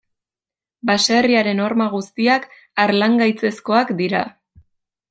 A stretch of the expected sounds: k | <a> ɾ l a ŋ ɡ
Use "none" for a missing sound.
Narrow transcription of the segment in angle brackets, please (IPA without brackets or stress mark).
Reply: a